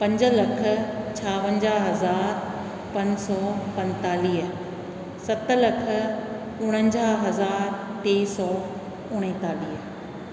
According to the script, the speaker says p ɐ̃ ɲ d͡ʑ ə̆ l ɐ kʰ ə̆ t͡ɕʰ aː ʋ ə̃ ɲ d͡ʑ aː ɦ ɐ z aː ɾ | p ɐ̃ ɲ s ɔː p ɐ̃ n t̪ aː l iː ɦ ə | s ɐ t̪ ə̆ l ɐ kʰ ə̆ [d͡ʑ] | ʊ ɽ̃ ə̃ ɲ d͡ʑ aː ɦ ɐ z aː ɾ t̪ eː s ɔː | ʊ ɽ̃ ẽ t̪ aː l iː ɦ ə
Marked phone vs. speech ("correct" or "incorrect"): incorrect